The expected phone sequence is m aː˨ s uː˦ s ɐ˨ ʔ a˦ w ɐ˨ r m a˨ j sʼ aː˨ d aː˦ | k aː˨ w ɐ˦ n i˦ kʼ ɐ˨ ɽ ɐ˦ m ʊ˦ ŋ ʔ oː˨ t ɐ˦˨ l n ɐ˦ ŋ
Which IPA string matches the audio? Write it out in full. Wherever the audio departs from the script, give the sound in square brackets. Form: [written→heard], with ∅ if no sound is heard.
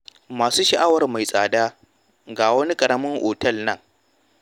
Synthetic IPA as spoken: m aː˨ s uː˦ [s→ʃ] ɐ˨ ʔ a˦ w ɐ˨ r m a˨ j sʼ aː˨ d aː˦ | [k→ɡ] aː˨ w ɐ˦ n i˦ kʼ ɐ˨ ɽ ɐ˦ m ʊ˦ ŋ ʔ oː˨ t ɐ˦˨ l n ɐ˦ ŋ